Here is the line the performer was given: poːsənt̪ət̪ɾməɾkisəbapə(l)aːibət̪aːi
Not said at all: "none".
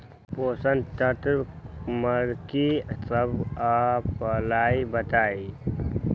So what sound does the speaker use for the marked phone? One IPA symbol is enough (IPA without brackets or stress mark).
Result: l